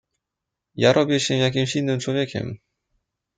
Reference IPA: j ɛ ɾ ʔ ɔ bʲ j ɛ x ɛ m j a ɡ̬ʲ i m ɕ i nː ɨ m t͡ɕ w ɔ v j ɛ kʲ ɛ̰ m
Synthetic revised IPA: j a ɾ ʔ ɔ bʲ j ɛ ɕ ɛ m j a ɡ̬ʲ i m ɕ i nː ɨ m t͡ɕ w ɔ v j ɛ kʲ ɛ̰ m